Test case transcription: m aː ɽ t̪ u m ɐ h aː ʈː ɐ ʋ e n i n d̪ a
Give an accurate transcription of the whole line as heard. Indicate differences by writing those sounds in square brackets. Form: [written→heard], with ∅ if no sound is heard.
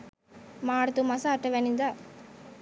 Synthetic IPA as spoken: m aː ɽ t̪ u m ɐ [h→s] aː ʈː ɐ ʋ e n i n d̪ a